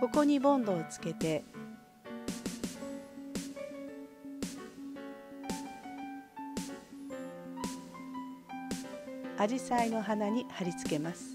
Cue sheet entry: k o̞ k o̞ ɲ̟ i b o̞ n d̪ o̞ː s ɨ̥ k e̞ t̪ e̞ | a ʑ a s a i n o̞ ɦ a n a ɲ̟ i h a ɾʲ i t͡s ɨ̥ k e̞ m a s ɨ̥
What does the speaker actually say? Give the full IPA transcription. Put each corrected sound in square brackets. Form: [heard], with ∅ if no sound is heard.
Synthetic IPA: k o̞ k o̞ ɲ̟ i b [õ̞] n d̪ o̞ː [t͡s] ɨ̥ k e̞ t̪ e̞ | a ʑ [i] s a i n o̞ ɦ a n a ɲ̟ i h a ɾʲ i t͡s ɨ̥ k e̞ m a s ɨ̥